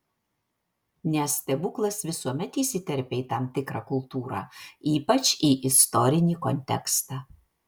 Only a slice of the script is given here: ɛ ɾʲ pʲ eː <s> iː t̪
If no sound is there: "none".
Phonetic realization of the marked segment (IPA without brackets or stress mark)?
none